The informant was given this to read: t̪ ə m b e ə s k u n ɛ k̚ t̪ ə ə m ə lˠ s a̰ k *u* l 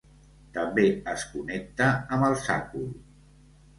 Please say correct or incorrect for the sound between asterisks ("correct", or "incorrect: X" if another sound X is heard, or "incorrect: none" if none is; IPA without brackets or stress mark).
correct